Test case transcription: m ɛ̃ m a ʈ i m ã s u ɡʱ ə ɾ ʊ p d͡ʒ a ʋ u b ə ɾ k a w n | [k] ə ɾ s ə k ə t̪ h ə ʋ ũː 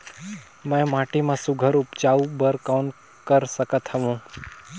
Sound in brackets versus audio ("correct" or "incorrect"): correct